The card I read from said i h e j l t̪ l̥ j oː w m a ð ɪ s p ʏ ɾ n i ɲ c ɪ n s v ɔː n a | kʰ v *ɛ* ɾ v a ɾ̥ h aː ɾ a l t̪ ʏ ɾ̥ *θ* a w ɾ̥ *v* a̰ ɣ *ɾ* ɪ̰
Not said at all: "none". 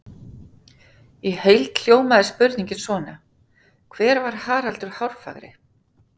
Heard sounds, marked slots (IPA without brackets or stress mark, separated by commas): ɛː, h, f, ɾ